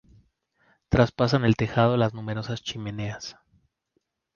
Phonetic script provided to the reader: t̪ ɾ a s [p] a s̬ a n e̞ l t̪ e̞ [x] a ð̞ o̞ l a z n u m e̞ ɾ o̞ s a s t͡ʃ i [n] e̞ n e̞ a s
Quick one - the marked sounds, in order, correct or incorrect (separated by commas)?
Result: correct, correct, incorrect